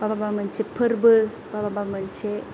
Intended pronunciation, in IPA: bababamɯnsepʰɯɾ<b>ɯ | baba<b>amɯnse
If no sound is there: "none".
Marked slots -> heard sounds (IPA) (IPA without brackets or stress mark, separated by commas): b, b